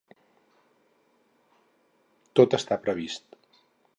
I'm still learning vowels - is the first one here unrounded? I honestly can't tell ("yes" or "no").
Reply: no